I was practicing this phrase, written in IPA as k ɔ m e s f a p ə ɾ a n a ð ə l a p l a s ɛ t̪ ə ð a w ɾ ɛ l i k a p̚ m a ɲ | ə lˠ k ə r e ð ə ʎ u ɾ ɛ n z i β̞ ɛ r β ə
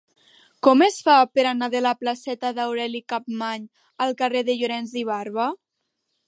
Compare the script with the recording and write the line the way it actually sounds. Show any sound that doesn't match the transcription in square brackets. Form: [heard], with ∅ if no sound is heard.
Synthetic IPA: k ɔ m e s f a p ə ɾ a n a ð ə l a p l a s ɛ t̪ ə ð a w ɾ ɛ l i k a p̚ m a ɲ | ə lˠ k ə r e ð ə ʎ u ɾ ɛ n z i β̞ [a] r β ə

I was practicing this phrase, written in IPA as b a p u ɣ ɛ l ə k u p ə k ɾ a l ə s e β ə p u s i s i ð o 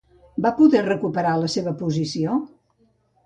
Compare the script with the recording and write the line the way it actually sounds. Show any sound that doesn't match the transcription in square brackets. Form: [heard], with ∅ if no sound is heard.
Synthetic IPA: b a p u [ð] ɛ [r] ə k u p ə [∅] ɾ a l ə s e β ə p u [z] i s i [∅] o

